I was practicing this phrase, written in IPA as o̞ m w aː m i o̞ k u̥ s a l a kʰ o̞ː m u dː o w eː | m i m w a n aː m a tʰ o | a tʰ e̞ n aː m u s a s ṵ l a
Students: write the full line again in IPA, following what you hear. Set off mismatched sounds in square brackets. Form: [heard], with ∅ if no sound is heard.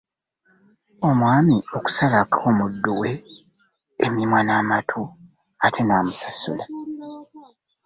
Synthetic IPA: o̞ m w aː m i o̞ k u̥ s a l a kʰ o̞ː m u dː [u] w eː | m i m w a n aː m a tʰ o | a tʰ e̞ n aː m u s a s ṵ l a